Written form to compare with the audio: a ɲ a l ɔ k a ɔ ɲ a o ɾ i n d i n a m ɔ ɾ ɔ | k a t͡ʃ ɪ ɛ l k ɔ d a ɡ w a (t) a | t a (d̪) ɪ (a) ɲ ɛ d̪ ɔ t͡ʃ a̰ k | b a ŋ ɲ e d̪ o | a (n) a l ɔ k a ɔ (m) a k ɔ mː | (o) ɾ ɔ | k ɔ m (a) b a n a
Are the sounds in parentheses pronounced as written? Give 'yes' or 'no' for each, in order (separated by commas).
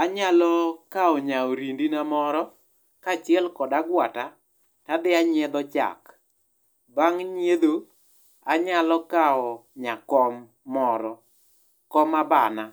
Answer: yes, yes, yes, no, no, no, yes